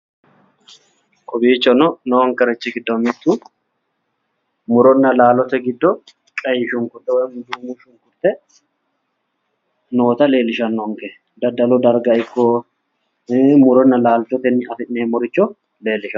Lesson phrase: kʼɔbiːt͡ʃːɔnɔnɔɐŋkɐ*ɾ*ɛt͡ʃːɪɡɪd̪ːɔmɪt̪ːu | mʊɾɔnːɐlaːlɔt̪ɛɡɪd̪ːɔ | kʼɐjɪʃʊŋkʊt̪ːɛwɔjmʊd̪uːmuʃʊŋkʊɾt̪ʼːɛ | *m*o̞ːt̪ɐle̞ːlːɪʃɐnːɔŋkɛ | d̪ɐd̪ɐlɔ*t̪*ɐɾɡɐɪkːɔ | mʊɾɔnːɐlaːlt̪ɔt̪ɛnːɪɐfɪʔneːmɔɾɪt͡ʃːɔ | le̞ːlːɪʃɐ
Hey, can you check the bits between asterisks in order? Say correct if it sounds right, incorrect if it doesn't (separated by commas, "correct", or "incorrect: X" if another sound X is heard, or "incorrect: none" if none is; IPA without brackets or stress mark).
correct, incorrect: n, incorrect: d̪